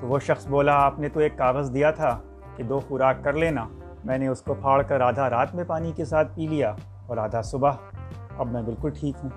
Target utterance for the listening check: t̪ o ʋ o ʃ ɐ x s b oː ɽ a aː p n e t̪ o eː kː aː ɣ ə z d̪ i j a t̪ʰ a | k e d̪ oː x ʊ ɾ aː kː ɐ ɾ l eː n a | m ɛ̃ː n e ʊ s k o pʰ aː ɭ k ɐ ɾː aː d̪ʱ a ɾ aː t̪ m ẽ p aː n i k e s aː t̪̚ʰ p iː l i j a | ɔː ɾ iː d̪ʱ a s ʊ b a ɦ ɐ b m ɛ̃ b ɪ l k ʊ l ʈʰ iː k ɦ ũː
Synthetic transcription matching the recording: t̪ o ʋ o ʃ ɐ x s b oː l a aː p n e t̪ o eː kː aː ɣ ə z d̪ i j a t̪ʰ a | k e d̪ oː x ʊ ɾ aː kː ɐ ɾ l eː n a | m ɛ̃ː n e ʊ s k o pʰ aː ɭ k ɐ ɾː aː d̪ʱ a ɾ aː t̪ m ẽ p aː n i k e s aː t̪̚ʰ p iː l i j a | ɔː ɾ aː d̪ʱ a s ʊ b a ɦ ɐ b m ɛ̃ b ɪ l k ʊ l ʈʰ iː k ɦ ũː